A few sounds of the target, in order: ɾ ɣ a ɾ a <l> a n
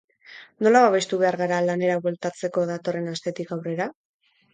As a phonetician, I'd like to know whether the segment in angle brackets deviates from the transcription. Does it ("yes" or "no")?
no